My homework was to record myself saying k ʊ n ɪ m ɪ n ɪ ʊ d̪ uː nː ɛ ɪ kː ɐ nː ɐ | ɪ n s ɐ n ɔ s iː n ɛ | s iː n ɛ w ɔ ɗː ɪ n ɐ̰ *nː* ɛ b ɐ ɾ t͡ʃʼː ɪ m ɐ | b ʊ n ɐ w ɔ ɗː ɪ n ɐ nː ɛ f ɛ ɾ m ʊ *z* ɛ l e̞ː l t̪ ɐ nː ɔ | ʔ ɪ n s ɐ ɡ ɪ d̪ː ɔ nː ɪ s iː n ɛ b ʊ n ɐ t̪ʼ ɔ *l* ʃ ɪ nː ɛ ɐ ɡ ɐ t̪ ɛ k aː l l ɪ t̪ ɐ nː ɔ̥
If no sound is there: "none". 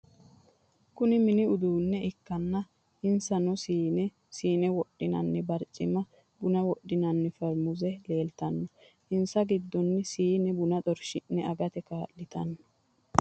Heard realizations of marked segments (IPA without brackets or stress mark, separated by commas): nː, z, ɾ